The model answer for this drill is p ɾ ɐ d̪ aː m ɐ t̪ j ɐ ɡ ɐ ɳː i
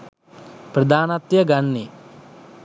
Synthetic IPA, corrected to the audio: p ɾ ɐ d̪ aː n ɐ t̪ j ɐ ɡ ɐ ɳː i